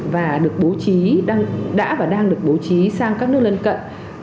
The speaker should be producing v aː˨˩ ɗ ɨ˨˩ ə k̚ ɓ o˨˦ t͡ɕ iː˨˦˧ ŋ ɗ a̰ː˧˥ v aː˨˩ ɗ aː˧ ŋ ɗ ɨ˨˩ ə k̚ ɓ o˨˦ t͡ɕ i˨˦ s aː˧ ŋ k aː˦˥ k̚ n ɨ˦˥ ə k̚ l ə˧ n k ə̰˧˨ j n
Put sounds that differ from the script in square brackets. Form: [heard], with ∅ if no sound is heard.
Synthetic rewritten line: v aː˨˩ ɗ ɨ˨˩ ə k̚ ɓ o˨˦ t͡ɕ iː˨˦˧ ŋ ɗ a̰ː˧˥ v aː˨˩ ɗ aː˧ ŋ ɗ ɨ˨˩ ə k̚ ɓ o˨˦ t͡ɕ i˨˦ s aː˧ ŋ k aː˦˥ k̚ n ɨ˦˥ ə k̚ l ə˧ n k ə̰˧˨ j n